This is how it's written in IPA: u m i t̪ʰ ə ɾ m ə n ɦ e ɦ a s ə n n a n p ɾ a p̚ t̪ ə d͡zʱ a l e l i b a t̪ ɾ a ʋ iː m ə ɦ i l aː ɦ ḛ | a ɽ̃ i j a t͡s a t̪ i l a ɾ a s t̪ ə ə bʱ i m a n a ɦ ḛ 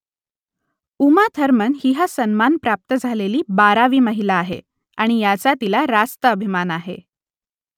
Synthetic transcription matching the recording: u m a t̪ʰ ə ɾ m ə n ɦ i ɦ a s ə n m a n p ɾ a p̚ t̪ ə d͡zʱ a l e l iː b a ɾ a ʋ iː m ə ɦ i l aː ɦ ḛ | a ɽ̃ i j a t͡s a t̪ i l a ɾ a s t̪ ə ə bʱ i m a n a ɦ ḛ